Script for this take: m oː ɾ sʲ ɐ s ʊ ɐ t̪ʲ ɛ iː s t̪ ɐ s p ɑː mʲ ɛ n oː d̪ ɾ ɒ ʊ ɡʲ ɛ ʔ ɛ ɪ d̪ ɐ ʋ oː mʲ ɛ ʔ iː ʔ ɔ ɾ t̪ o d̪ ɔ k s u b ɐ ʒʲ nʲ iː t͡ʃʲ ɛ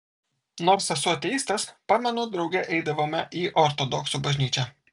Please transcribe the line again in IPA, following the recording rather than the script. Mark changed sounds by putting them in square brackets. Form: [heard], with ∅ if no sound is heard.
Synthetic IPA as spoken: [n] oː ɾ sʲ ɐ s ʊ ɐ t̪ʲ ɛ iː s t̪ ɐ s p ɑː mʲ ɛ n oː d̪ ɾ ɒ ʊ ɡʲ ɛ ʔ ɛ ɪ d̪ ɐ ʋ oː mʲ ɛ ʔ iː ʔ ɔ ɾ t̪ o d̪ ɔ k s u b ɐ ʒʲ nʲ iː t͡ʃʲ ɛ

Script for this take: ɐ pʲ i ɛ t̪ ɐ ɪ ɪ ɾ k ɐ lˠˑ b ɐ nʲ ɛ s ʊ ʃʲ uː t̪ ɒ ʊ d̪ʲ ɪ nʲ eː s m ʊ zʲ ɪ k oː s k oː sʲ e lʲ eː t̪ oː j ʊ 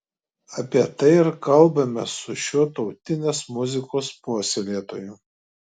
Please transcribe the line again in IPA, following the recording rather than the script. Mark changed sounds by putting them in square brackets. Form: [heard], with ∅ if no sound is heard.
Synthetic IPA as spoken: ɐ pʲ i ɛ t̪ ɐ ɪ ɪ ɾ k ɐ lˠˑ b ɐ [mʲ] ɛ s ʊ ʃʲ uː t̪ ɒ ʊ [t̪ʲ] ɪ nʲ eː s m ʊ zʲ ɪ k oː s [p] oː sʲ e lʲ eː t̪ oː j ʊ

